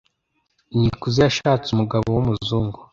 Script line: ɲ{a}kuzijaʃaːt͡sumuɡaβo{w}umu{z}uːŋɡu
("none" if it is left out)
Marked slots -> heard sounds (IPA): i, w, z

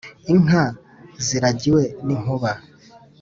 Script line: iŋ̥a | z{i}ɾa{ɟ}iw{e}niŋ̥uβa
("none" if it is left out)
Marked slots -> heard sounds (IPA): i, ɟ, e

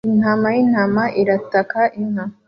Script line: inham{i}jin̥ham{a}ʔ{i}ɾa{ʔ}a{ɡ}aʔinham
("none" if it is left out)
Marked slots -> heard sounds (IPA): a, a, i, t, k

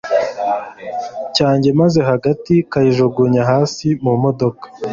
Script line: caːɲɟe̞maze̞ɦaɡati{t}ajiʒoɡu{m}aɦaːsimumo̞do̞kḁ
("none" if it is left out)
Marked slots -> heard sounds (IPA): k, ɲ

